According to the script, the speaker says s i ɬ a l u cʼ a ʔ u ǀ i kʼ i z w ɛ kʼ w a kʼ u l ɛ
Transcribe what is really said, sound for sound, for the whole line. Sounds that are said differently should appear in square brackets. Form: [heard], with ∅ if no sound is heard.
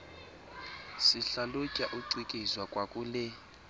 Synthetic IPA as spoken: s i ɬ a l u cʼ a ʔ u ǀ i kʼ i z w [a] kʼ w a kʼ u l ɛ